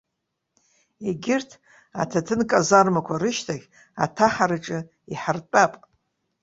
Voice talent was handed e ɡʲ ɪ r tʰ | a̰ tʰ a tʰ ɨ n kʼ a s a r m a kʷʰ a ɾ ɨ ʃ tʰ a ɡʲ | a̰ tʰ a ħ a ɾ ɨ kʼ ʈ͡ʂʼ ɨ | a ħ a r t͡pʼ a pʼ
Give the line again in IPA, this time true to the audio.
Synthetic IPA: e ɡʲ ɪ r tʰ | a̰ tʰ a tʰ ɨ n kʼ a z a r m a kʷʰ a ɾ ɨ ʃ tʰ a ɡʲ | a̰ tʰ a ħ a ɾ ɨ ʈ͡ʂʼ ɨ | i ħ a r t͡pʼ a pʼ

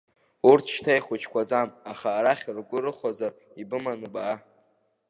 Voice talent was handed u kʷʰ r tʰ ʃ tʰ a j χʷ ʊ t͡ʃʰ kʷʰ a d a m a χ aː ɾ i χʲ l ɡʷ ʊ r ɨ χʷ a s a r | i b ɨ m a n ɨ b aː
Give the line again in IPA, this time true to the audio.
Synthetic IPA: u r tʰ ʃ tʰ a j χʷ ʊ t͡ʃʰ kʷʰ a d͡z a m a χ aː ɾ a χʲ r ɡʷ ʊ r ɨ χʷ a z a r | i b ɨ m a n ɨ b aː

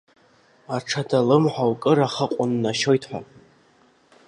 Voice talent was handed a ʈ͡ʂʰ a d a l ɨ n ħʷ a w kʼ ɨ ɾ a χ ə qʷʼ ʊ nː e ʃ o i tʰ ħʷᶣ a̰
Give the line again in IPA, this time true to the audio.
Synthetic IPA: a ʈ͡ʂʰ a d a l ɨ m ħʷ a w kʼ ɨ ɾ a χ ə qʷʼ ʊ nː a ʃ o j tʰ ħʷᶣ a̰

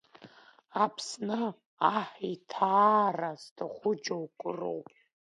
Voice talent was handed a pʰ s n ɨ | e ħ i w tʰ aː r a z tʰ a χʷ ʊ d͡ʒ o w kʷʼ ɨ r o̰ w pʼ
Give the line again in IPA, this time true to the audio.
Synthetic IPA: a pʰ s n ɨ | a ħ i tʰ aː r a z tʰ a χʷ ʊ d͡ʒ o w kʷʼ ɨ r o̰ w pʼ

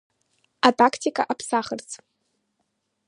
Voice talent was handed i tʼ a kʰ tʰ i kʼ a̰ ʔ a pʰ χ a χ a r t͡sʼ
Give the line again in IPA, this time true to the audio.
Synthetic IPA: a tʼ a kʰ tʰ i kʼ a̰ ʔ a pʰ s a χ ə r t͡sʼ

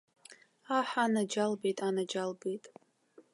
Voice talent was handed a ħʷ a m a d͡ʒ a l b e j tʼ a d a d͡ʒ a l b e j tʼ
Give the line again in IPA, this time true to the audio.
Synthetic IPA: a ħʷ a n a d͡ʒ a l b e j tʼ a n a d͡ʒ a l b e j tʼ

